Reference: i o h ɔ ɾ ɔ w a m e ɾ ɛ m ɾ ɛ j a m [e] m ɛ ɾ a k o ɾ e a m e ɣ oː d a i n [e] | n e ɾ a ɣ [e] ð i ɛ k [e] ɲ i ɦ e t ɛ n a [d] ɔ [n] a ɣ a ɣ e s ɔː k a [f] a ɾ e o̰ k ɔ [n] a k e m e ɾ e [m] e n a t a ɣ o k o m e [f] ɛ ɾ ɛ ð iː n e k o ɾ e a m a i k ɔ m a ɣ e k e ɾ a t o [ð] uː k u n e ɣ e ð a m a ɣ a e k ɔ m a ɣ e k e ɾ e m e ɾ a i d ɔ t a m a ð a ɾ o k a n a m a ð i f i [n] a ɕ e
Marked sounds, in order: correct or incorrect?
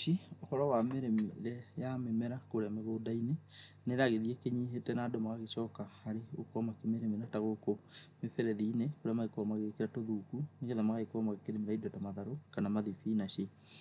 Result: correct, correct, correct, correct, correct, incorrect: m, incorrect: h, incorrect: m, correct, correct, correct, correct

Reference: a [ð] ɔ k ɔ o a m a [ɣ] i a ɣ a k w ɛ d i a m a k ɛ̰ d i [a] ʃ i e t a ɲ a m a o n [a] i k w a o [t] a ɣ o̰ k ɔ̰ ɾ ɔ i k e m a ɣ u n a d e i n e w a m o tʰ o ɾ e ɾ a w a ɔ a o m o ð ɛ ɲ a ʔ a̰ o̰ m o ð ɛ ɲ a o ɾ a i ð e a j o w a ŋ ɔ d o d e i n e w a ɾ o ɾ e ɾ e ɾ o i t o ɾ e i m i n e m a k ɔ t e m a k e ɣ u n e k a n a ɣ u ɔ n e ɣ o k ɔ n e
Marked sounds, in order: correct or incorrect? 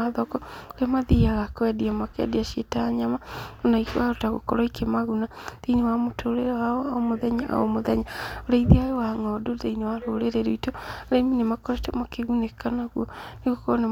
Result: correct, incorrect: ð, correct, correct, correct

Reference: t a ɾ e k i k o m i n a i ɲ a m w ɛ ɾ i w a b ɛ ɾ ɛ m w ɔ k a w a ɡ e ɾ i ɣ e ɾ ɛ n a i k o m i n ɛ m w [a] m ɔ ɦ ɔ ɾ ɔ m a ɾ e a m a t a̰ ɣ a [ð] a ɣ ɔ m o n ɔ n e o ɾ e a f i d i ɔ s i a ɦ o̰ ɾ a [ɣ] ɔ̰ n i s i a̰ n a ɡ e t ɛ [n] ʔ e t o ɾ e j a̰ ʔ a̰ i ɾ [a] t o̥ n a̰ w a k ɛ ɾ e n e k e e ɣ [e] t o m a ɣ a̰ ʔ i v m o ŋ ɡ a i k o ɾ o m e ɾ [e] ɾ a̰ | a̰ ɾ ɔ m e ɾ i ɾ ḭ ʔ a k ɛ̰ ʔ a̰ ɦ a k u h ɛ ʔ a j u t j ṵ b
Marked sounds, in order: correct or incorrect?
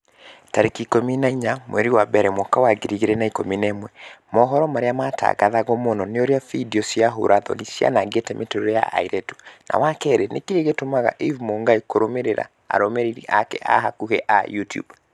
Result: incorrect: ɛ, correct, incorrect: ð, incorrect: m, incorrect: ɛ, correct, correct

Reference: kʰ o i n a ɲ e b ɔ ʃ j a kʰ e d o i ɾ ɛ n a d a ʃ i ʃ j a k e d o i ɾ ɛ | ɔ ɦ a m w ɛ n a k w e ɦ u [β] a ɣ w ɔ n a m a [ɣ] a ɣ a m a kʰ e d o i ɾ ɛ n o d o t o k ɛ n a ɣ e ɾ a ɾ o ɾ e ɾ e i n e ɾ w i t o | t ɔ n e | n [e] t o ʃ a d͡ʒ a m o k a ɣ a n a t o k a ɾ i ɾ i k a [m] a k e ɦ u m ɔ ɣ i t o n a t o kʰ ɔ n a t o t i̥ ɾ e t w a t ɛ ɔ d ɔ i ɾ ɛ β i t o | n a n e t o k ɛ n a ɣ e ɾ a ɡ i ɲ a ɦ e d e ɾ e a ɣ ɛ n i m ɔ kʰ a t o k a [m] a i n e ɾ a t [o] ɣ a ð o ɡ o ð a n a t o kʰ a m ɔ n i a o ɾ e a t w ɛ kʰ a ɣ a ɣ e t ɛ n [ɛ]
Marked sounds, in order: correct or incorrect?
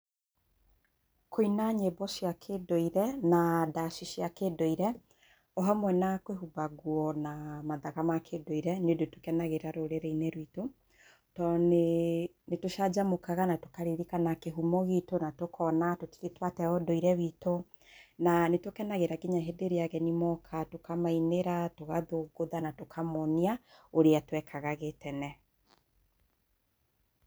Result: incorrect: b, incorrect: ð, correct, incorrect: n, correct, correct, correct

